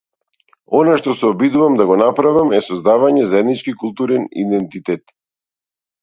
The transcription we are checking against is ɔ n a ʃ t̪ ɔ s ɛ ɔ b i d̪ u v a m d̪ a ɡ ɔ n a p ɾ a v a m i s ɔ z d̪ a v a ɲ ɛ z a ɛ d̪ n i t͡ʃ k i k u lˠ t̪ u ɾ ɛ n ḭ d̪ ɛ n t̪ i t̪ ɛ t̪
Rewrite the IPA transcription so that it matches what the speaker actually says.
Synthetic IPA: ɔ n a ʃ t̪ ɔ s ɛ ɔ b i d̪ u v a m d̪ a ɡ ɔ n a p ɾ a v a m ɛ s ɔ z d̪ a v a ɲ ɛ z a ɛ d̪ n i t͡ʃ k i k u lˠ t̪ u ɾ ɛ n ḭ d̪ ɛ n t̪ i t̪ ɛ t̪